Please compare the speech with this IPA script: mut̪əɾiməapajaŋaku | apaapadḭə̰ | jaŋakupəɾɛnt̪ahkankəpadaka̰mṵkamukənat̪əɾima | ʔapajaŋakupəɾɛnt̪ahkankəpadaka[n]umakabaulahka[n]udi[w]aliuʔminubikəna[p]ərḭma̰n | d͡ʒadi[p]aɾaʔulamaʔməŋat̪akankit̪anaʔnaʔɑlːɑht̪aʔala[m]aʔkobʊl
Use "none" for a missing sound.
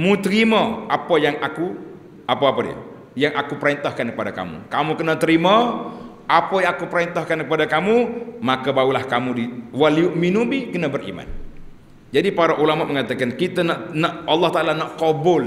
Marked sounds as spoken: m, m, w, b, p, n

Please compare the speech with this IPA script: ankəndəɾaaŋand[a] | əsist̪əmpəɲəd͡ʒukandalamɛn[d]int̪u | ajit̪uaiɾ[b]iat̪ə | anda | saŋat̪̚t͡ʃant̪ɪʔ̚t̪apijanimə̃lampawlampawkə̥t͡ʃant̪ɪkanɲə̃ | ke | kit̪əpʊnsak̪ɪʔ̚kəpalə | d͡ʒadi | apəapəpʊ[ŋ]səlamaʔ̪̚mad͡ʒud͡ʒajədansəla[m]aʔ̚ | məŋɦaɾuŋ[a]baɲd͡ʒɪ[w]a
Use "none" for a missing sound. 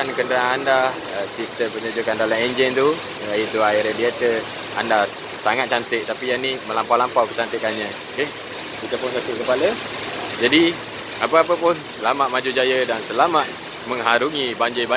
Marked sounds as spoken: a, d͡ʒ, d, n, m, i, b

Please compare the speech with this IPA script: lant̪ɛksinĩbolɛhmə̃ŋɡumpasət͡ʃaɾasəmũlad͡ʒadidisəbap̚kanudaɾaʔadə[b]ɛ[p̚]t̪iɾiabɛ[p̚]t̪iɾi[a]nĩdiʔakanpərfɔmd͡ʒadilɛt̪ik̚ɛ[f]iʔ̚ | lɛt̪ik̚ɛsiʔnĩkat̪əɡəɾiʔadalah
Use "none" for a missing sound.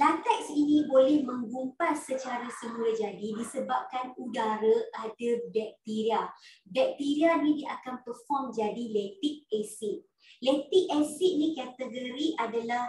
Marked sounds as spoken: b, k̚, k̚, a, s

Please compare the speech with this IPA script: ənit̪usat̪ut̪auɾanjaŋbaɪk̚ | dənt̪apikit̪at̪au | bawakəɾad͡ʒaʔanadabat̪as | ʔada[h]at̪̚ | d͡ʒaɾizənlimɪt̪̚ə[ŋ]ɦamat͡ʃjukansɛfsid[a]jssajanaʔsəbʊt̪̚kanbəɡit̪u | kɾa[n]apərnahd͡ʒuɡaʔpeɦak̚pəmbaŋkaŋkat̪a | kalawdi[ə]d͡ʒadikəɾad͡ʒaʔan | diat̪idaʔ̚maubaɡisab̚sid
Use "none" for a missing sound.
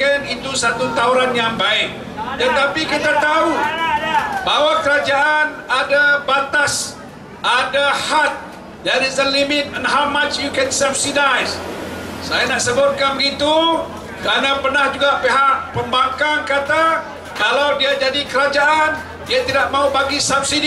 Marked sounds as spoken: h, n, a, n, a

